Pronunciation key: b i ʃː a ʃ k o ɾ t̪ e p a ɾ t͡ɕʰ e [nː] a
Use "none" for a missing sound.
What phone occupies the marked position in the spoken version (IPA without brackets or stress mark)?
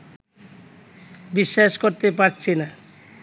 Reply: n